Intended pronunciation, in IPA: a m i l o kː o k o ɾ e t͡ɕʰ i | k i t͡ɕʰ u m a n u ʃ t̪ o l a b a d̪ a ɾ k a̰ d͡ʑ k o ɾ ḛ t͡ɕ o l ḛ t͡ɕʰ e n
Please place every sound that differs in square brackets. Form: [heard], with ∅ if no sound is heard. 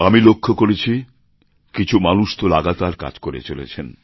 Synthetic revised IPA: a m i l o [kʰː] o k o ɾ e t͡ɕʰ i | k i t͡ɕʰ u m a n u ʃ t̪ o l a [ɡ] a [t̪] a ɾ k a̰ d͡ʑ k o ɾ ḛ t͡ɕ o l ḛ t͡ɕʰ e n